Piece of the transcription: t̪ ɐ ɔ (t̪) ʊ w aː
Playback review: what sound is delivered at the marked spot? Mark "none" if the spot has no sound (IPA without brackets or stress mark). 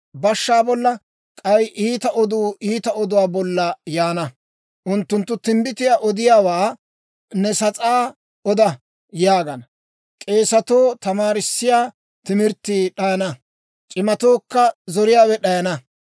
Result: d̪